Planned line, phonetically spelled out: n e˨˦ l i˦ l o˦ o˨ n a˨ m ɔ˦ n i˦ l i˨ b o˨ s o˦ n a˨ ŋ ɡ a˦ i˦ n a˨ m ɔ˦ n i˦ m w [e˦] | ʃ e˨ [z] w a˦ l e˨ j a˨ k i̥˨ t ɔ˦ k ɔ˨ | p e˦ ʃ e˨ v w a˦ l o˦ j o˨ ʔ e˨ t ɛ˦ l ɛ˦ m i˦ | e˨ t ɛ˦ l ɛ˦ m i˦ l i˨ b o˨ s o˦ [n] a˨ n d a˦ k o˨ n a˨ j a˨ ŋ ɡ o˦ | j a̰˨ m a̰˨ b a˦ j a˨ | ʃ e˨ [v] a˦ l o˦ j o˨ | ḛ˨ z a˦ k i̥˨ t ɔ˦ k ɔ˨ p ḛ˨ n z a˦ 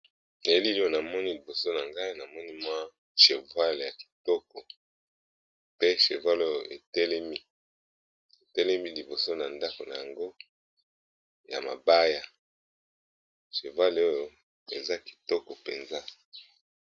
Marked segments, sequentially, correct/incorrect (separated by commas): incorrect, incorrect, correct, correct